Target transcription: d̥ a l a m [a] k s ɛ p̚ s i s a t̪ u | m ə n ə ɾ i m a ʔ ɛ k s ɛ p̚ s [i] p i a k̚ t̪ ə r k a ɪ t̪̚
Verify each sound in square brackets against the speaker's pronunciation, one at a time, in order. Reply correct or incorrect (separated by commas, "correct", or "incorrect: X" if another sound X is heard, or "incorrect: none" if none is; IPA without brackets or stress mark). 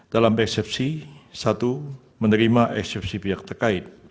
incorrect: ɛ, correct